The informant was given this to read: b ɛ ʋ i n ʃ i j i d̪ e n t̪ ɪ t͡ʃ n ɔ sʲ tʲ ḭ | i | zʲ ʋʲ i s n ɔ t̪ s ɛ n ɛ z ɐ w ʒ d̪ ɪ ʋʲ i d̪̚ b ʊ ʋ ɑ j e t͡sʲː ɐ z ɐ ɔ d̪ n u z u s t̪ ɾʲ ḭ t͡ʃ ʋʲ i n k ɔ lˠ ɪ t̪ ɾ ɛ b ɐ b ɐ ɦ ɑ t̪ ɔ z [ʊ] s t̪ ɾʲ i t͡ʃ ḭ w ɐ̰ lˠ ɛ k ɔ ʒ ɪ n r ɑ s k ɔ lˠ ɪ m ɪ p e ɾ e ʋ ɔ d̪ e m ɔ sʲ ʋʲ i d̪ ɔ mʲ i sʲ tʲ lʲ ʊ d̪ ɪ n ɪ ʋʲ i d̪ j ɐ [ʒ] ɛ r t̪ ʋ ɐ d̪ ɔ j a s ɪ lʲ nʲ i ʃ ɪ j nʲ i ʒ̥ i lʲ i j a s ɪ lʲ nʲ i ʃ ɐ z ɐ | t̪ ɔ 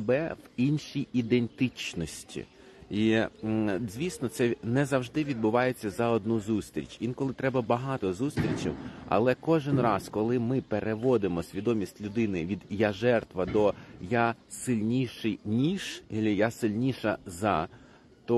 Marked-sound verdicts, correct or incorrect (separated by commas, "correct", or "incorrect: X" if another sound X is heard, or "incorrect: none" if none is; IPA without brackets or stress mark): incorrect: u, correct